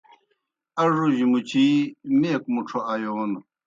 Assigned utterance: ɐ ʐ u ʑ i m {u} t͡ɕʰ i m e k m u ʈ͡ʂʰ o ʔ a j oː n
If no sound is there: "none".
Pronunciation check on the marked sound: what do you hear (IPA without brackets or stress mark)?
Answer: u